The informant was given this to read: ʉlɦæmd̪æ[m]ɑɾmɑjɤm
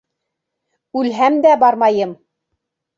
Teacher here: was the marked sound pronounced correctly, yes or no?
no